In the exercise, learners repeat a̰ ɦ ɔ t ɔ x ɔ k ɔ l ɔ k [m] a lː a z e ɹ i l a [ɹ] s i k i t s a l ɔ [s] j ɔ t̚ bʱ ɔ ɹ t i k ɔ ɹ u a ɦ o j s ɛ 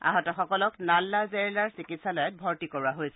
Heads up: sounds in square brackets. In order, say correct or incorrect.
incorrect: n, correct, incorrect: none

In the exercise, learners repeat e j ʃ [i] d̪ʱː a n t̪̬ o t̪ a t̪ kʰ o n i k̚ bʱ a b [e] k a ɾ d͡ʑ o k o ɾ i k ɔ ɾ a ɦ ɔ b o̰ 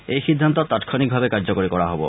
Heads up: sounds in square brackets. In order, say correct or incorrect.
correct, correct

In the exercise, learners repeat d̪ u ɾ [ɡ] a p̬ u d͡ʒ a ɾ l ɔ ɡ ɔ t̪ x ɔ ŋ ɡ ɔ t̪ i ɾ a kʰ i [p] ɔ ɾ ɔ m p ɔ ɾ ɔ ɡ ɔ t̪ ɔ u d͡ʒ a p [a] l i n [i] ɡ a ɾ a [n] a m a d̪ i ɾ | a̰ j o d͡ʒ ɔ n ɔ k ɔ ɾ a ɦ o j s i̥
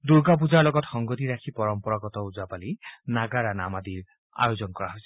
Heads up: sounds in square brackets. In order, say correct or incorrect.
correct, correct, correct, incorrect: a, correct

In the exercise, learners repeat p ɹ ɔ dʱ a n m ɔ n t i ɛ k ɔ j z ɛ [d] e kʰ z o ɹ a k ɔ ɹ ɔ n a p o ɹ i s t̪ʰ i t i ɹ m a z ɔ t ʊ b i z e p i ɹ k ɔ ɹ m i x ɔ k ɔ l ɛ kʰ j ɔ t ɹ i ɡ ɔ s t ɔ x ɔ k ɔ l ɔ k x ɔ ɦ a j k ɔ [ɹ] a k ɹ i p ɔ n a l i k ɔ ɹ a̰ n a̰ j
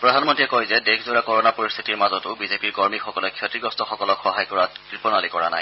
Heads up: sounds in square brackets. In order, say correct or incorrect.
correct, correct

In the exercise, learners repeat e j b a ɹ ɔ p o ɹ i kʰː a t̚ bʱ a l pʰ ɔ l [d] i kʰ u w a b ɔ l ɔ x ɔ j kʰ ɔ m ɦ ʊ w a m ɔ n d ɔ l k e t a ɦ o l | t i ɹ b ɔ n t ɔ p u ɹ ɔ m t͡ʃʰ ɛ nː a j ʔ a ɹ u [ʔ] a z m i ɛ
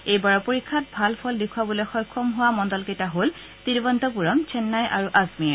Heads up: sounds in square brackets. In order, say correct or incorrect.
correct, correct

